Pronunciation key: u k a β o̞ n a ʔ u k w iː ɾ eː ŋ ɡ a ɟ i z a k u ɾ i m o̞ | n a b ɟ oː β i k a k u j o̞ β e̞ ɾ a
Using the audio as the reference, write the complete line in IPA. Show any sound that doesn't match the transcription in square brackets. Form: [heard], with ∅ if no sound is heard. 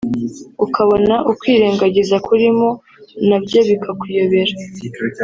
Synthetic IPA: u k a β o̞ n a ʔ u k w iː ɾ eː ŋ ɡ a ɟ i z a k u ɾ i m o̞ | n a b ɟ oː β i k a k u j o̞ β e̞ ɾ a